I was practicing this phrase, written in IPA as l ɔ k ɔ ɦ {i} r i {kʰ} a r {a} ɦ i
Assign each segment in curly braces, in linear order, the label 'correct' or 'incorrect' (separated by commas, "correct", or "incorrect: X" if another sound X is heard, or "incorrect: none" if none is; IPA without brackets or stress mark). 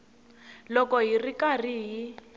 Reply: correct, incorrect: k, incorrect: i